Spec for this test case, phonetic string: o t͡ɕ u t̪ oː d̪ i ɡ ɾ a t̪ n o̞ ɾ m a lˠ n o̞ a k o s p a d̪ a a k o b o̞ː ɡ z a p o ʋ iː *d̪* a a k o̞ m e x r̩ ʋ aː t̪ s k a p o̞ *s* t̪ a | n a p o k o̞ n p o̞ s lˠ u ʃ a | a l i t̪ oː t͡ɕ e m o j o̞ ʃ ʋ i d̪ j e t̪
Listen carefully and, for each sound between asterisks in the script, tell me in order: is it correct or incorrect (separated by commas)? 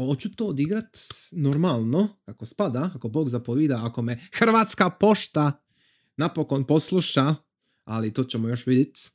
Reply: correct, incorrect